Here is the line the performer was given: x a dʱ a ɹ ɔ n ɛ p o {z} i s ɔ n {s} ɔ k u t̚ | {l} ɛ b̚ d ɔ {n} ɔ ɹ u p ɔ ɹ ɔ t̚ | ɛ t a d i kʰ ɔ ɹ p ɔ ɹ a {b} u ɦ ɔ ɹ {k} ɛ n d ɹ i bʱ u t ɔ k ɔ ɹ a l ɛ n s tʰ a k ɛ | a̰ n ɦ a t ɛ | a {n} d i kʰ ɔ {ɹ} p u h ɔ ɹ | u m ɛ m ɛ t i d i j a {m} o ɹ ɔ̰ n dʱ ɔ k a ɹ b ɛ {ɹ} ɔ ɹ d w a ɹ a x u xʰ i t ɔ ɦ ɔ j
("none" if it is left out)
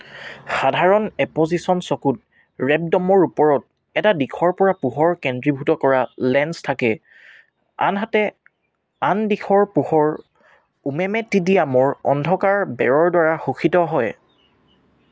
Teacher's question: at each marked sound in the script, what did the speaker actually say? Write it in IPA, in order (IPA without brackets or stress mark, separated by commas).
z, s, ɹ, m, p, k, n, ɹ, m, ɹ